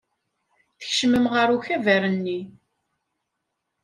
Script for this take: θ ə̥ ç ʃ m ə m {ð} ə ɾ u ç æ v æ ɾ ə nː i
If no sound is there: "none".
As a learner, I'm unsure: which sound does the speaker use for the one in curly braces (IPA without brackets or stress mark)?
ʁ